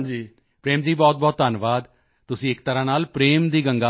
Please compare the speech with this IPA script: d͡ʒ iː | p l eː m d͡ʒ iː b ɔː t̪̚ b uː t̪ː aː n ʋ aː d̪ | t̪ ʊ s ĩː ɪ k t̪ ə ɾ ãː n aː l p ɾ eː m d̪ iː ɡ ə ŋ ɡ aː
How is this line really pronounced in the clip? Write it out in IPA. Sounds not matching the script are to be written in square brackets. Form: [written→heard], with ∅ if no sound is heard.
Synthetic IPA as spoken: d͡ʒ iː | p [l→ɾ] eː m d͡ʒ iː b ɔː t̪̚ b [uː→ɔː] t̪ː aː n ʋ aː d̪ | t̪ ʊ s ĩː ɪ k t̪ ə ɾ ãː n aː l p ɾ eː m d̪ iː ɡ ə ŋ ɡ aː